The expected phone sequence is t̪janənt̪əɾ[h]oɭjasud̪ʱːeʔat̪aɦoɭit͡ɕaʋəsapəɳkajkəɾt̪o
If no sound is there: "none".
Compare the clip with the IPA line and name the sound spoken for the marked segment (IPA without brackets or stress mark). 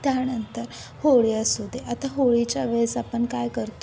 h